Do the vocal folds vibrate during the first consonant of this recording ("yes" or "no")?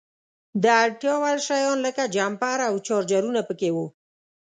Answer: yes